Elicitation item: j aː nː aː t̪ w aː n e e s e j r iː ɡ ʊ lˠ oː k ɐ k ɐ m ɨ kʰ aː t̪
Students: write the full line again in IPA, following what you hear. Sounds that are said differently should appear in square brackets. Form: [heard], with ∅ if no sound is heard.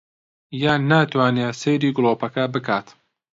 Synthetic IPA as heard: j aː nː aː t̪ w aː n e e s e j [ɾ] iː ɡ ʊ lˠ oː [p] ɐ k ɐ [b] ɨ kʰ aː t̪

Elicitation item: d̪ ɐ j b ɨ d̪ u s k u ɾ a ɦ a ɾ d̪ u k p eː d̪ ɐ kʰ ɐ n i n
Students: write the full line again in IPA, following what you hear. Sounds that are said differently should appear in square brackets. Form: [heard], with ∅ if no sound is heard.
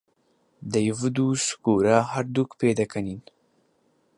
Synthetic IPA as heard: d̪ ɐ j [v] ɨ d̪ u s k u ɾ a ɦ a ɾ d̪ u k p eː d̪ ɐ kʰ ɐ n i n

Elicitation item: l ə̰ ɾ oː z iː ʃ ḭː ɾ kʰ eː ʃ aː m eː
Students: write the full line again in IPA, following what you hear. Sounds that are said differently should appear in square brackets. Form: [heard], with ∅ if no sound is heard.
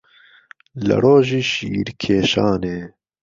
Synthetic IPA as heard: l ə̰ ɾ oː [ʒ] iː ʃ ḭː ɾ kʰ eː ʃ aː [n] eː

